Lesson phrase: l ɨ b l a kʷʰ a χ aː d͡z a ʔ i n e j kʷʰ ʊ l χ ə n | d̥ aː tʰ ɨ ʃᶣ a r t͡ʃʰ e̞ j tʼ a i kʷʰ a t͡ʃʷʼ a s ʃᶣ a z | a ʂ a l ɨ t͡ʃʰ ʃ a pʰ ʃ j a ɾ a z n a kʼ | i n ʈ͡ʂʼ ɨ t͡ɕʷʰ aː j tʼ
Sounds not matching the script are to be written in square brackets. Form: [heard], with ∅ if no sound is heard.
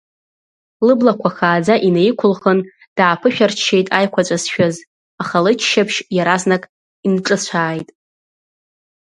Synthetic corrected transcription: l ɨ b l a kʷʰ a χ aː d͡z a ʔ i n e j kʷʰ ʊ l χ ə n | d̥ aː [pʰ] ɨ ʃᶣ a r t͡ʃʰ e̞ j tʼ a [j] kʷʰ a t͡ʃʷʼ a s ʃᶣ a z | a [χ] a l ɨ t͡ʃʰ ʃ a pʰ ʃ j a ɾ a z n a kʼ | i n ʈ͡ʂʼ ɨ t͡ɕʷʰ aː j tʼ

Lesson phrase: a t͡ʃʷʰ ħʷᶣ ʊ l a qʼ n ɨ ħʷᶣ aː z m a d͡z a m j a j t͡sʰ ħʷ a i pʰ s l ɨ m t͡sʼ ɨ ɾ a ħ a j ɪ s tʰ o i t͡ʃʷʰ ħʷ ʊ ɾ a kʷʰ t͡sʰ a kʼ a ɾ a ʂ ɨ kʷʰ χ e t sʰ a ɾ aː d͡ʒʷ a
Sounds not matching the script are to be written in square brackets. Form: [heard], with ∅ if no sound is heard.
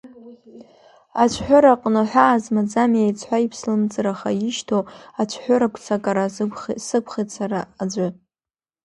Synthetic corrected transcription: a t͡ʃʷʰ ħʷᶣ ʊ [ɾ] a qʼ n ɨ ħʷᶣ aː z m a d͡z a m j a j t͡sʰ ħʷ a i pʰ s l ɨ m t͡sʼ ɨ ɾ a [χ] a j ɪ [ʃ] tʰ o [a] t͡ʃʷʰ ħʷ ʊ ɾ a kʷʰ t͡sʰ a kʼ a ɾ a [s] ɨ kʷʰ χ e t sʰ a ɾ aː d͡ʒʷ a

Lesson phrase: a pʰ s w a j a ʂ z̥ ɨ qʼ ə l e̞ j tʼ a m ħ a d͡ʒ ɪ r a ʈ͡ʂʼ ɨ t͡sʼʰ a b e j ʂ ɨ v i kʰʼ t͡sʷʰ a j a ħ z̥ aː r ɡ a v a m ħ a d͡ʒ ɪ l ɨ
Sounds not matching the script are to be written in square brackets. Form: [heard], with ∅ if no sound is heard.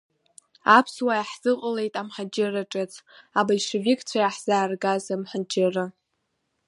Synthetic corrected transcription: a pʰ s w a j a [ħ] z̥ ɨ qʼ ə l e̞ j tʼ a m ħ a d͡ʒ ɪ r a ʈ͡ʂʼ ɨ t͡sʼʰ a b [a] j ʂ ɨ v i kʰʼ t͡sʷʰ a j a ħ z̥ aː r ɡ a [z] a m ħ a d͡ʒ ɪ [r] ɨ

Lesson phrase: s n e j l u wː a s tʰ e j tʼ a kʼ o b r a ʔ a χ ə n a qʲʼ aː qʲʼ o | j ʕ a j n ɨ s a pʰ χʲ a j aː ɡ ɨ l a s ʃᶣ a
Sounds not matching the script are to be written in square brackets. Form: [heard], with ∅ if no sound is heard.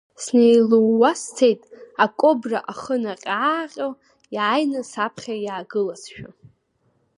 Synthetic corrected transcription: s n e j l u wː a s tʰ e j tʼ a kʼ o b r a ʔ a χ ə n a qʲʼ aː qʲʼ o | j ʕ a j n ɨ s a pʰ χʲ a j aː ɡ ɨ l a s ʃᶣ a

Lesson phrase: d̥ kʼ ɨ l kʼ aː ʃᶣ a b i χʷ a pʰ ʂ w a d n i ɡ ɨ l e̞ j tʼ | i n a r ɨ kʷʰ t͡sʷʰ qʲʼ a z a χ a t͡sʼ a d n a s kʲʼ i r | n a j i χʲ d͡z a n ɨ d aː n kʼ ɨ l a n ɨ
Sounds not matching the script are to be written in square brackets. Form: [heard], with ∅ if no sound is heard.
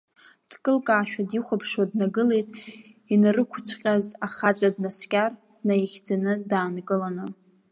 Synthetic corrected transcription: d̥ kʼ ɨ l kʼ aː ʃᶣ a [d] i χʷ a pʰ ʂ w a d n [a] ɡ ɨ l e̞ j tʼ | i n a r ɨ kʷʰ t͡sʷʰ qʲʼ a z a χ a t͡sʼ a d n a s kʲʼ [a] r | n a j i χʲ d͡z a n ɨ d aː n kʼ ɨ l a n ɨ

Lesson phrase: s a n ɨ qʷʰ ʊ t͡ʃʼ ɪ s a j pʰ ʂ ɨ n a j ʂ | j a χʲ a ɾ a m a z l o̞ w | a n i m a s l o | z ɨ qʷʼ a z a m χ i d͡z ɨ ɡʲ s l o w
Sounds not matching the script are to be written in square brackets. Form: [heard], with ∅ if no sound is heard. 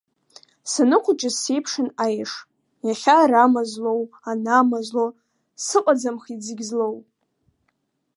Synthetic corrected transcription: s a n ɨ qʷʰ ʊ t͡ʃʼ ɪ s [e] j pʰ ʂ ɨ n a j ʂ | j a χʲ a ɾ a m a z l o̞ w | a n [a] m a [z] l o | [s] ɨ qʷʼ a [d͡z] a m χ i d͡z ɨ ɡʲ [z] l o w

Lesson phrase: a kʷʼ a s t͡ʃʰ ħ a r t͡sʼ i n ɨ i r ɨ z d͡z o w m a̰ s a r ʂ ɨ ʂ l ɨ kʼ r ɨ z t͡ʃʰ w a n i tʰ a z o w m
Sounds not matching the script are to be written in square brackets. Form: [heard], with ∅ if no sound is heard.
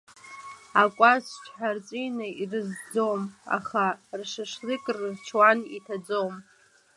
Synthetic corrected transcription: a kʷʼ a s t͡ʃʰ ħ a r t͡sʼ i n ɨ i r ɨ z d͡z o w m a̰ [χ] a r ʂ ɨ ʂ l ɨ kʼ r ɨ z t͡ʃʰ w a n i tʰ a [d͡z] o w m

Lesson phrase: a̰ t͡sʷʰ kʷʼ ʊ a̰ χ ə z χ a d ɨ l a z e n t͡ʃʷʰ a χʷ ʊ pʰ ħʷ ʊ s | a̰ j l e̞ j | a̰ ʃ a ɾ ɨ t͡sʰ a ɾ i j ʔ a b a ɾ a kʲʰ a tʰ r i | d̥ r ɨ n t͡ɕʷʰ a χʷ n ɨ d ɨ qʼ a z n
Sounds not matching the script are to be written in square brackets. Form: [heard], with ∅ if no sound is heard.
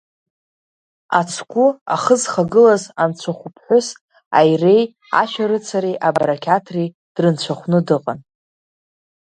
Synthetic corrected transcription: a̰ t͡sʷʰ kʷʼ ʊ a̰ χ ə z χ a [ɡ] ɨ l a z [a] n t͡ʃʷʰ a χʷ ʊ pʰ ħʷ ʊ s | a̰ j [r] e̞ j | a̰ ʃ a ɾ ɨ t͡sʰ a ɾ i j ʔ a b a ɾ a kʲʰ a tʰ r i | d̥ r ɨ n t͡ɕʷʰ a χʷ n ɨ d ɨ qʼ a [∅] n

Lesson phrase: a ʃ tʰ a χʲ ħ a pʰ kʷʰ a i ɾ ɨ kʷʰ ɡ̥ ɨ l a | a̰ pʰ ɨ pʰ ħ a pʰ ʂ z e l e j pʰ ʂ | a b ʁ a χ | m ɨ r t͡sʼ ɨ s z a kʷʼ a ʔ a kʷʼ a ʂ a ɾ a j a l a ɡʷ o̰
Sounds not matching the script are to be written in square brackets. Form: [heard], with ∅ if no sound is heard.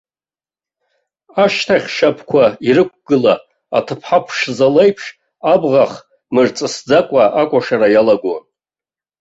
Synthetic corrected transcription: a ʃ tʰ a χʲ [ʃ] a pʰ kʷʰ a i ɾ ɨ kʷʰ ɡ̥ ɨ l a | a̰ [tʰ] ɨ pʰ ħ a pʰ ʂ z [a] l e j pʰ ʂ | a b ʁ a χ | m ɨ r t͡sʼ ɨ s [d͡z] a kʷʼ a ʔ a kʷʼ a ʂ a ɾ a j a l a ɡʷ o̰

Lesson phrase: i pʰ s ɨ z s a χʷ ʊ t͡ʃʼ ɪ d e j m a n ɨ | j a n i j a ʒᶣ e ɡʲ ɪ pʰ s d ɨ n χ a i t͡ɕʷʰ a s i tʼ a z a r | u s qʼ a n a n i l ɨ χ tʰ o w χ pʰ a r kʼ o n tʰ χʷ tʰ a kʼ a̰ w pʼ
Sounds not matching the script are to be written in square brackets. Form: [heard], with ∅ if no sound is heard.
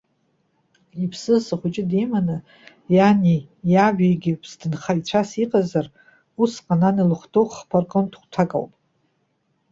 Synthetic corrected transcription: i pʰ s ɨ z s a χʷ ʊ t͡ʃʼ ɪ d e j m a n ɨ | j a n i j a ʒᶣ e ɡʲ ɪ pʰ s d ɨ n χ a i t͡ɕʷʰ a s i [qʼ] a z a r | u s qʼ a n a n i l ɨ χ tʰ o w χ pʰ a r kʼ o n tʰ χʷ tʰ a kʼ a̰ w pʼ

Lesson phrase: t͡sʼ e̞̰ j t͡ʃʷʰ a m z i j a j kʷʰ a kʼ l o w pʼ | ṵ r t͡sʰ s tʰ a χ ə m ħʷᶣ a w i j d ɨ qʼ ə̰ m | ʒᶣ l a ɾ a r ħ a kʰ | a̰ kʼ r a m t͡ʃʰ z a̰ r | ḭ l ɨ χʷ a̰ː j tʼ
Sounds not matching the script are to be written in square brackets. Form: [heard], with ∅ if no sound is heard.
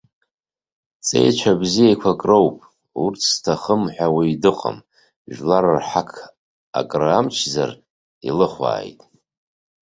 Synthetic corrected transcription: t͡sʼ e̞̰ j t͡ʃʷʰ a [b] z i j a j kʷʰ a kʼ [r] o w pʼ | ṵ r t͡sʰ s tʰ a χ ə m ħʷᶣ a w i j d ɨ qʼ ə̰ m | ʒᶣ l a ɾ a r ħ a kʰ | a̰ kʼ r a m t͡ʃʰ z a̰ r | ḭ l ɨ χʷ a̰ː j tʼ

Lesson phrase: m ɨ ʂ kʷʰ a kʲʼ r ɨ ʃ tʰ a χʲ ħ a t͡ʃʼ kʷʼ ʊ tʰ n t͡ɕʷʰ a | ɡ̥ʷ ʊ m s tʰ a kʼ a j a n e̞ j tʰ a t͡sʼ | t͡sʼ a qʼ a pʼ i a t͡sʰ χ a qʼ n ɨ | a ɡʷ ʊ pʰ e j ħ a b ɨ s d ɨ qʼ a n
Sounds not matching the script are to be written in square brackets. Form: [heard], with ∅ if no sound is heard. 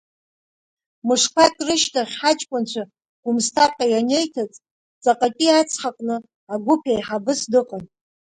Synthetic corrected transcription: m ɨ ʂ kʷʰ a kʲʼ r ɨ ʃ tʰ a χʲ ħ a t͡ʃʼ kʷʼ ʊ [∅] n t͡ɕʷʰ a | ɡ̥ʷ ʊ m s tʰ a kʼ a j a n e̞ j tʰ a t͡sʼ | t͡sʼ a qʼ a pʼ i a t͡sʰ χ a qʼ n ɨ | a ɡʷ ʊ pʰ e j ħ a b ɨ s d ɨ qʼ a n

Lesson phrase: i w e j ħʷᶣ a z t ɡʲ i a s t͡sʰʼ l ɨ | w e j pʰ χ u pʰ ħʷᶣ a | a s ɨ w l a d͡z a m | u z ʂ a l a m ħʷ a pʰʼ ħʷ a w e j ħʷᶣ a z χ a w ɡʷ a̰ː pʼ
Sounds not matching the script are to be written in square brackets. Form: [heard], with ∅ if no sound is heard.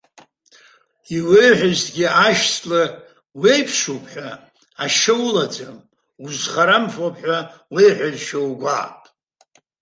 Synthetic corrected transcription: i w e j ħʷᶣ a z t ɡʲ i a [ʃ] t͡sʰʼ l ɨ | w e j pʰ [ʂ] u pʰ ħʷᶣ a | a [ʃ] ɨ w l a d͡z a m | u z [χ] a [ɾ] a m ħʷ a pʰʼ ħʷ a w e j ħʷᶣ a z [ʃ] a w ɡʷ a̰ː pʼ

